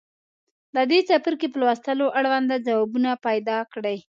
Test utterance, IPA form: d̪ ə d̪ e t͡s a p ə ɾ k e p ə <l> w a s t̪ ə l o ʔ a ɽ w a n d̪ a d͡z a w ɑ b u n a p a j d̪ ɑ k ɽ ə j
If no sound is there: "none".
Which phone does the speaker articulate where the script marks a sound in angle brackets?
l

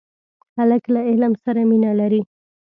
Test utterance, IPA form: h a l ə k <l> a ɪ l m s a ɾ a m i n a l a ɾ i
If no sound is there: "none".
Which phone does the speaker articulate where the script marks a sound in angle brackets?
l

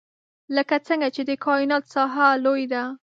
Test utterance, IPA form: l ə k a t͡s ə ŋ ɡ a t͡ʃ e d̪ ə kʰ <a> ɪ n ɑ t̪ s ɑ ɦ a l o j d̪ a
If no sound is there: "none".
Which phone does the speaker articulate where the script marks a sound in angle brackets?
ɑ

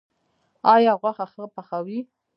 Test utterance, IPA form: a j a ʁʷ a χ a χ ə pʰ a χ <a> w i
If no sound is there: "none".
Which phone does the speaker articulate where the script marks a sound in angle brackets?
a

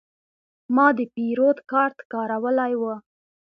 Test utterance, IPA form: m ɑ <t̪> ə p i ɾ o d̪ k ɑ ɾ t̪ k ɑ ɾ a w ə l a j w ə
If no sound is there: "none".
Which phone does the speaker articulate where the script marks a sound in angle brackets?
d̪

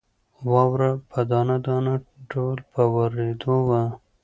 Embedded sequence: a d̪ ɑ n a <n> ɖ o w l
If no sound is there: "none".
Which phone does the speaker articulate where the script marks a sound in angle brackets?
none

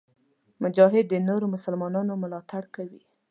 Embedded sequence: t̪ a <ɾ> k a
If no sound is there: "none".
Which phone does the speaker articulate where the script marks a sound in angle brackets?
ɽ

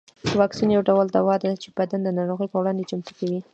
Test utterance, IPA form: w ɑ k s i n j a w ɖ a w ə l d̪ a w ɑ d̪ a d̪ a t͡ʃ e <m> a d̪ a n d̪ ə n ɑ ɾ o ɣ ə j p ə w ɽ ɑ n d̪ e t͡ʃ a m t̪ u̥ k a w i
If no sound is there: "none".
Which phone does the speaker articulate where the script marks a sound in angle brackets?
b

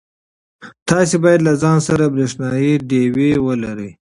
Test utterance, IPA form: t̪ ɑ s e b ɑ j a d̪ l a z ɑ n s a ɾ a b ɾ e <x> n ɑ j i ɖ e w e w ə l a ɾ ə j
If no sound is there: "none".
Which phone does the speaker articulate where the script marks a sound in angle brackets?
ʂ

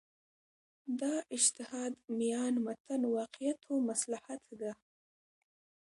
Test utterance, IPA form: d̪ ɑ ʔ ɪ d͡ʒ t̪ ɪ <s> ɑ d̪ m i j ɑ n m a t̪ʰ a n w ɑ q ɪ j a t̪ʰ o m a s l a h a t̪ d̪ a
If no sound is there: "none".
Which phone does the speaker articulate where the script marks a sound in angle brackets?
h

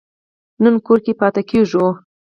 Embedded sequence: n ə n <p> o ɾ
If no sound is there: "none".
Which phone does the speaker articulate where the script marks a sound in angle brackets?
k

